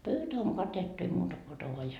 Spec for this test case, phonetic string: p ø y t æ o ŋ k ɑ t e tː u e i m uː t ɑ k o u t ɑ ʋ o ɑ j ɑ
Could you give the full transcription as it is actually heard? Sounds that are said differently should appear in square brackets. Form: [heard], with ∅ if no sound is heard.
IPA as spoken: p ø y t æ o ŋ k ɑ t e tː u e i m uː t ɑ k o [o] t ɑ ʋ o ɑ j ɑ